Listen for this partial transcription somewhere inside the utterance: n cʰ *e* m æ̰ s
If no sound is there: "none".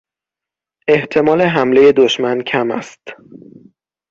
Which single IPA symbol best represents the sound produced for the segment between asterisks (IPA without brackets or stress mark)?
æ